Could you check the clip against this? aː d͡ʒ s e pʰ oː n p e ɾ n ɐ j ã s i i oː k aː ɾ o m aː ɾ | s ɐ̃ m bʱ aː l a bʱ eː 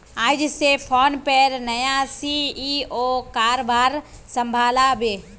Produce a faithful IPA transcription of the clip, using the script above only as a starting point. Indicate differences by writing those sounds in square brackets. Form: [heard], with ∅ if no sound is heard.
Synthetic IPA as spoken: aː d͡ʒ s e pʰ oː n p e ɾ n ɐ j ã s i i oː k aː ɾ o [b] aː ɾ | s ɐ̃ m bʱ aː l a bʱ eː